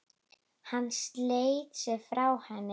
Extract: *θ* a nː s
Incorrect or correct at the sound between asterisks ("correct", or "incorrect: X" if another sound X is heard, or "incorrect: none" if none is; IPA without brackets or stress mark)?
incorrect: h